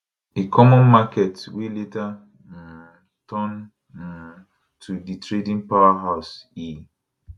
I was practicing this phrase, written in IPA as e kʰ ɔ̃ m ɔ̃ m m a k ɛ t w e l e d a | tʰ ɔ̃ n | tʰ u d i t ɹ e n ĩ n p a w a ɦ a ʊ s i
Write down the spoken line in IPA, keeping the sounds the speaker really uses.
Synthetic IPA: e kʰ ɔ m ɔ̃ n m a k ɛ t w e l e t a | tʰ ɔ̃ n | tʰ u d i t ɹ e d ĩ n p a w a ɦ a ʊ s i